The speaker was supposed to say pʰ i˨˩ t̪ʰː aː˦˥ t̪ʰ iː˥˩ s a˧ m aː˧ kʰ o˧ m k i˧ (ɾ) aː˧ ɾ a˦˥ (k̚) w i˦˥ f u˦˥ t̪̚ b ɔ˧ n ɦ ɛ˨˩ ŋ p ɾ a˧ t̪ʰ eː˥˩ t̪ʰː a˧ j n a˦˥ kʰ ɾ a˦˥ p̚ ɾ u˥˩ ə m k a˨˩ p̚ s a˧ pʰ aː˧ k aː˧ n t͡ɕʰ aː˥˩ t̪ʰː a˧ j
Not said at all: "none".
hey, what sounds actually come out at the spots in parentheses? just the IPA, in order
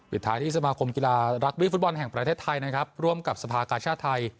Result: l, k̚

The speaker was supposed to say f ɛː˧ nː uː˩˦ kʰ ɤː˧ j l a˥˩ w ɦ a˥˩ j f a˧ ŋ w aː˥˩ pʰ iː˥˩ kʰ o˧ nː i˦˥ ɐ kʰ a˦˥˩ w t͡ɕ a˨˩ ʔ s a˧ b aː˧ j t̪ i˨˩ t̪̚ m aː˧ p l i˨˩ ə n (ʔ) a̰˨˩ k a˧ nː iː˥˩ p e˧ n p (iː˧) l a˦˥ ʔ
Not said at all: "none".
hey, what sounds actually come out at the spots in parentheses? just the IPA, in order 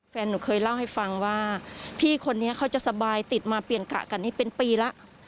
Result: k, iː˧

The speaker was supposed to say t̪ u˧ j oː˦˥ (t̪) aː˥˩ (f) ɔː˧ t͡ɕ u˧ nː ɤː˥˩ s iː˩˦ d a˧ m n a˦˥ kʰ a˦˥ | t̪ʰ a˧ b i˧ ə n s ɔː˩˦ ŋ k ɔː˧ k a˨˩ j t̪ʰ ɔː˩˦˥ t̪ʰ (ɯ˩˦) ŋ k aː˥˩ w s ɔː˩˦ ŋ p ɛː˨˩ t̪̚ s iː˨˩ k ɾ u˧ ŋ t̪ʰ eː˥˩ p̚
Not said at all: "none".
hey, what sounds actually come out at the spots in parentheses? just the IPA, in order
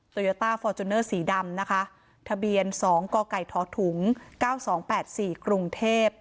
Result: t̪, f, u˩˦

